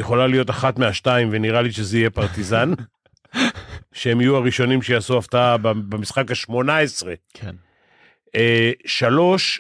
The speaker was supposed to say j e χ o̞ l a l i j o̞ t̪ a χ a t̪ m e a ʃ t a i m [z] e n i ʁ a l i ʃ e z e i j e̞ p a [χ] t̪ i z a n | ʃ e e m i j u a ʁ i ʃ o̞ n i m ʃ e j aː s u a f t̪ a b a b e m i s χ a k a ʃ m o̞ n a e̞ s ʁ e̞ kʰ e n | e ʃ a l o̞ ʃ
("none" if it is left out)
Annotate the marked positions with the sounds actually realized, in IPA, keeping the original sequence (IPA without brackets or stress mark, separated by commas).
v, ʁ